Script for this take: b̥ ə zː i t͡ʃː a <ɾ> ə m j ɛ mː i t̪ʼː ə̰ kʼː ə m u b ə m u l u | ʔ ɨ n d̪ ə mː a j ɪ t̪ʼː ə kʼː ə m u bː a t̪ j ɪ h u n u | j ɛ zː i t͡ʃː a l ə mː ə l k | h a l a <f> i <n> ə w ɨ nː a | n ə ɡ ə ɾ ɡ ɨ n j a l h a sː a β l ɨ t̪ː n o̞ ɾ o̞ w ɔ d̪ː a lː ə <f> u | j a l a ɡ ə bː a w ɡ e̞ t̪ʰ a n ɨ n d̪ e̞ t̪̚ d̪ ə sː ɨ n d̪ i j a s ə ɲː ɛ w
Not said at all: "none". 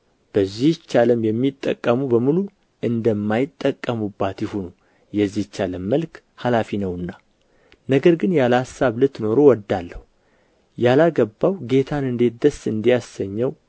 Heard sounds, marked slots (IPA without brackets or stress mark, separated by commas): l, f, n, h